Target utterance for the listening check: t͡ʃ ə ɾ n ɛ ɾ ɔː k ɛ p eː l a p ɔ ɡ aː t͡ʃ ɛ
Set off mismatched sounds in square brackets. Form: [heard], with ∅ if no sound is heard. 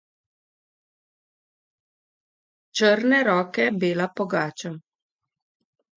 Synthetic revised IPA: t͡ʃ ə ɾ n ɛ ɾ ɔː k ɛ [b] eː l a p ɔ ɡ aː t͡ʃ [a]